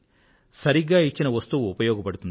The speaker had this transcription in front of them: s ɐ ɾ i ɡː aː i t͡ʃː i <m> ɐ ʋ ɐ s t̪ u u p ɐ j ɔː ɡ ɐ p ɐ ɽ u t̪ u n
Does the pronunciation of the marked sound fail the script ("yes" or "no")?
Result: yes